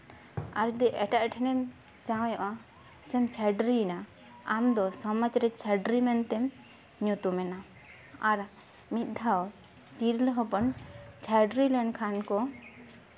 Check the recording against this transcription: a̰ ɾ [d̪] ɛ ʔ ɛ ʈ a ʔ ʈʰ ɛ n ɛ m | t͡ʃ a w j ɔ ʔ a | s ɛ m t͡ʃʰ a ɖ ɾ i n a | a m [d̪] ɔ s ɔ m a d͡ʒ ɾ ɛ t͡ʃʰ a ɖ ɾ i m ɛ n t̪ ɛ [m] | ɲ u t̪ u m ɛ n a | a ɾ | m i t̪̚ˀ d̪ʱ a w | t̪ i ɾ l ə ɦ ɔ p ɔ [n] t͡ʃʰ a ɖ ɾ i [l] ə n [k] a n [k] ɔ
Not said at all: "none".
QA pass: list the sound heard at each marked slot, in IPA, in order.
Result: d̪, d̪, m, n, l, kʰ, k

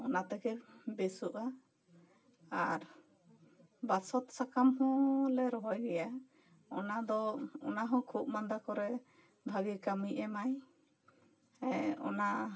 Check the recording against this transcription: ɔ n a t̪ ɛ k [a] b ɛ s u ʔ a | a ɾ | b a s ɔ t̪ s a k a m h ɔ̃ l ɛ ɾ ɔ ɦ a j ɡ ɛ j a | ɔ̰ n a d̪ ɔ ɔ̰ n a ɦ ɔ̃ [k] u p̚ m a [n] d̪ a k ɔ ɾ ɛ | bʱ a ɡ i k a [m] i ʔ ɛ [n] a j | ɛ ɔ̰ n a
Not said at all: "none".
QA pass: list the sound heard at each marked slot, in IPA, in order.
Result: ɛ, kʰ, n, m, m

